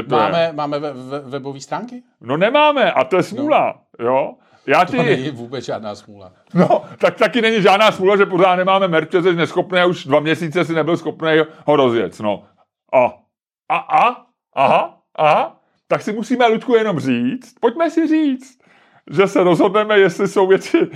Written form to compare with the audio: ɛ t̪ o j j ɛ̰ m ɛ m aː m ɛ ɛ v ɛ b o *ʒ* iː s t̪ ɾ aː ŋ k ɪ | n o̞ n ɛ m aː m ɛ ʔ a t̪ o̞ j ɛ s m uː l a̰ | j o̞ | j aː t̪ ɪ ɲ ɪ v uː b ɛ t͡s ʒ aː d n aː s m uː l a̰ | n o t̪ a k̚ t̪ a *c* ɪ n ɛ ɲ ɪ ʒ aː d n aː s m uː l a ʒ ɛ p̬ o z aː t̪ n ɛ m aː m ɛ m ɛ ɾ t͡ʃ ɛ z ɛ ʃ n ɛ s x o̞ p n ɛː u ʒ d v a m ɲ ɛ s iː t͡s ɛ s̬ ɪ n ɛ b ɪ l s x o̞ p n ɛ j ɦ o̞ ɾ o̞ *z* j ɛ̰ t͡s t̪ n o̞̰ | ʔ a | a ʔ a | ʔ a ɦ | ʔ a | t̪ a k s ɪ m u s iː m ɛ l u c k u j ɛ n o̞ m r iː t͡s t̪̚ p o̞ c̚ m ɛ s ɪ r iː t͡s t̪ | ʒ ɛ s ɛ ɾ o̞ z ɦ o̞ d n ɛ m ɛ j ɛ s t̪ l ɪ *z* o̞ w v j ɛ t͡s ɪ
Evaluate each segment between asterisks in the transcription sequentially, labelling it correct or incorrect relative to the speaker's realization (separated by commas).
incorrect, incorrect, correct, incorrect